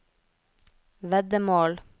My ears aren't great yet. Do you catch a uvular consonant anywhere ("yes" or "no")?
no